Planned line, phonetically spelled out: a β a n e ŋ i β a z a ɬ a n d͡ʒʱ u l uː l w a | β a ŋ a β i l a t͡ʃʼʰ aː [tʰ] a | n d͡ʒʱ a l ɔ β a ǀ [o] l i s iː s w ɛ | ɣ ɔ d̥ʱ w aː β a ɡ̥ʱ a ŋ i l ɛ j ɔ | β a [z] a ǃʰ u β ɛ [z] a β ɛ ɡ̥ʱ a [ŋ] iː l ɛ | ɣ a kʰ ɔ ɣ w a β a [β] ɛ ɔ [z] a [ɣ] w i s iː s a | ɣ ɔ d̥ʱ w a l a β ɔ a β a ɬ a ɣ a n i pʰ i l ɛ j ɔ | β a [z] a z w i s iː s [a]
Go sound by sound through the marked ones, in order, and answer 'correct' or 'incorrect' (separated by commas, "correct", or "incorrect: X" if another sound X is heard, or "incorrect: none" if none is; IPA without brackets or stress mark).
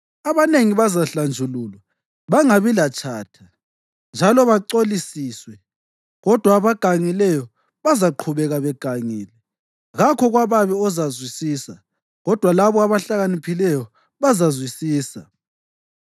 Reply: correct, correct, correct, incorrect: ɣ, correct, correct, correct, incorrect: z, correct, correct